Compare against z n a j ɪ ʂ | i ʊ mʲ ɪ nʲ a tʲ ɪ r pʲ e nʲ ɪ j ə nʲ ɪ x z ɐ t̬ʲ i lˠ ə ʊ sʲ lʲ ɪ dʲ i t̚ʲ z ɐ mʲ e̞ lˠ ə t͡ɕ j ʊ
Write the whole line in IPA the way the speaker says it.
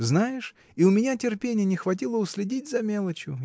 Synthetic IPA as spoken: z n a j ɪ ʂ | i ʊ mʲ ɪ nʲ a tʲ ɪ r pʲ e nʲ ɪ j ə nʲ ɪ x v ɐ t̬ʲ i lˠ ə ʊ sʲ lʲ ɪ dʲ i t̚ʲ z ɐ mʲ e̞ lˠ ə t͡ɕ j ʊ